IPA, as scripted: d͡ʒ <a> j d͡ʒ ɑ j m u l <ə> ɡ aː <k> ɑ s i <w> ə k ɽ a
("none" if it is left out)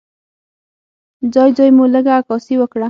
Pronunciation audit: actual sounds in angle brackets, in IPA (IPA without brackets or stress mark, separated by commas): ɑ, ə, k, w